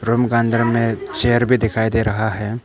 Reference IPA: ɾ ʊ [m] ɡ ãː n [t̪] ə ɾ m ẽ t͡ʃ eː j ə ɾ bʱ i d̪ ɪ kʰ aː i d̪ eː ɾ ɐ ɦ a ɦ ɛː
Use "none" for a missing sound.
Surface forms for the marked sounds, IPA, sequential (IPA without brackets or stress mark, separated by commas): m, d̪